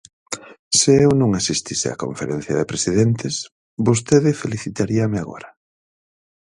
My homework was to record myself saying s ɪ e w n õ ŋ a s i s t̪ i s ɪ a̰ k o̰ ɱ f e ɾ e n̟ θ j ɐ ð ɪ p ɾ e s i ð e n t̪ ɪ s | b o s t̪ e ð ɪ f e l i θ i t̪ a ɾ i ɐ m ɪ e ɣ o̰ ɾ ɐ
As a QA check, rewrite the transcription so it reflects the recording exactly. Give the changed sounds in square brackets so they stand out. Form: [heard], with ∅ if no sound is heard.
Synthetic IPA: s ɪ e w n õ ŋ a s i s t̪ i s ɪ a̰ k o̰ ɱ f e ɾ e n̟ θ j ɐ ð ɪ p ɾ e s i ð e n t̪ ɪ s | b o s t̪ e ð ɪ f e l i θ i t̪ a ɾ i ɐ m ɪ [a] ɣ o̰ ɾ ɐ